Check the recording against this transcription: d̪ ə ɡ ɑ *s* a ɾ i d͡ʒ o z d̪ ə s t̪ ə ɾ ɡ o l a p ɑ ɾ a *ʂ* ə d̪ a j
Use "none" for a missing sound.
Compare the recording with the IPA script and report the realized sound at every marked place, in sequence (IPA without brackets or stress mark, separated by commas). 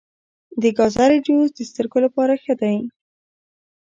z, x